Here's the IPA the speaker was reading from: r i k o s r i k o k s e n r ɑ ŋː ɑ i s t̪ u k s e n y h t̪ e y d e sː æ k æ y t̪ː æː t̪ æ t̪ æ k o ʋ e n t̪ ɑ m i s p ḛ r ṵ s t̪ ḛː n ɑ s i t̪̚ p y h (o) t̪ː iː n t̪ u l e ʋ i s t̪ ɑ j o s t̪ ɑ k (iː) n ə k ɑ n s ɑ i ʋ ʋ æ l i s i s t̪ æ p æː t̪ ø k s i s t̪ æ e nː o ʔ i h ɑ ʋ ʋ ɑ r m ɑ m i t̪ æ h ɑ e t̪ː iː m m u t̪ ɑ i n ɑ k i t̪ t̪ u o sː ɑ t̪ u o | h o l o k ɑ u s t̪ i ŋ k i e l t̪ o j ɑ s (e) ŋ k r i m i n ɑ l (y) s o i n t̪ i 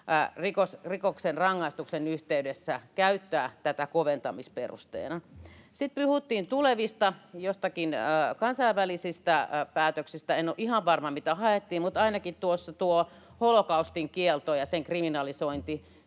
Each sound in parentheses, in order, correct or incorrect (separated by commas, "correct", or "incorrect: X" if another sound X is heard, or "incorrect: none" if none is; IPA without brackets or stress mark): incorrect: u, incorrect: i, correct, incorrect: i